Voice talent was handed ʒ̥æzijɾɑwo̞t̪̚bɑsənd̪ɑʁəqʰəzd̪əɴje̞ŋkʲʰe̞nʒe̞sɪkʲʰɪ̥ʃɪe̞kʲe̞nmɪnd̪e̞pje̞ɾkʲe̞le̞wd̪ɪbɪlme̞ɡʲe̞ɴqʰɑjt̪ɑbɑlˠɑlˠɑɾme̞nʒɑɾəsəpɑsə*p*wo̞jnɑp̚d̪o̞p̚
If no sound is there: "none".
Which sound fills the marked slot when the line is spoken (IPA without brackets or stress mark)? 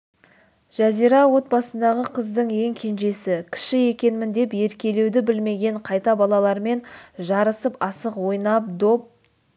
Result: q